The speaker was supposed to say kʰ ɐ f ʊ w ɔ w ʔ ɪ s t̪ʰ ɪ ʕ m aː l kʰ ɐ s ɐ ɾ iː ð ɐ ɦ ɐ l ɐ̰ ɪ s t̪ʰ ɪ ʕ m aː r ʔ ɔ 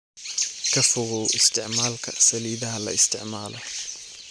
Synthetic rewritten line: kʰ ɐ f ʊ ɣ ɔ w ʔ ɪ s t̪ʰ ɪ ʕ m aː l kʰ ɐ s ɐ l iː ð ɐ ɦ ɐ l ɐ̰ ɪ s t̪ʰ ɪ ʕ m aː l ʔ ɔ